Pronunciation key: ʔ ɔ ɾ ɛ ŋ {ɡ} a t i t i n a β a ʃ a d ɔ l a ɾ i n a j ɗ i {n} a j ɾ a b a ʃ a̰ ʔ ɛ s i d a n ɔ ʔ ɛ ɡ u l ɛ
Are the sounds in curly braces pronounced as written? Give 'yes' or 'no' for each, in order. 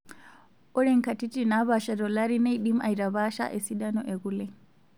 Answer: no, no

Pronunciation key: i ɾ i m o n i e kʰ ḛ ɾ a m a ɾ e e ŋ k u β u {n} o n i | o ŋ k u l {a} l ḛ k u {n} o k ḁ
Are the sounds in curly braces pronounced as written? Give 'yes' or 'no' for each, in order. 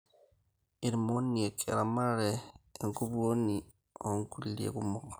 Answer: no, no, no

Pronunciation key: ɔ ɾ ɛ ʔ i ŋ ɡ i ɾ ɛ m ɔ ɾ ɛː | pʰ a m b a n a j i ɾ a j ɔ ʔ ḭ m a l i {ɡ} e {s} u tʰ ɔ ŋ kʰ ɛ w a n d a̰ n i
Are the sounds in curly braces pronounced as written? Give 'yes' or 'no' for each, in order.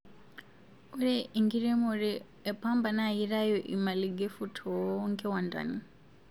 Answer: yes, no

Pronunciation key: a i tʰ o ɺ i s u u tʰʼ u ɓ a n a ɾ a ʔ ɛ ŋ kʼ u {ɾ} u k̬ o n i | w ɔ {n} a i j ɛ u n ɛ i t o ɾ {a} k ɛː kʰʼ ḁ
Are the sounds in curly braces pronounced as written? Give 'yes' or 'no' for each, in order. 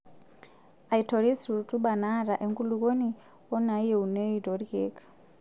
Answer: no, yes, no

